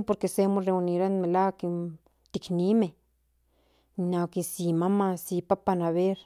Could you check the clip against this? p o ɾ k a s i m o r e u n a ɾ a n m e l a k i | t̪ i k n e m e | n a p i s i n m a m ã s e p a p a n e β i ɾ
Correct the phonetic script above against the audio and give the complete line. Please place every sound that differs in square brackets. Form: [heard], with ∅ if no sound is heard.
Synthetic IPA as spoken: p o ɾ k [e] s [e] m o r e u n [i] ɾ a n m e l a k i | t̪ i k n [i] m e | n a [k] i s i [∅] m a m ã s [i] p a p a n [a] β [e] ɾ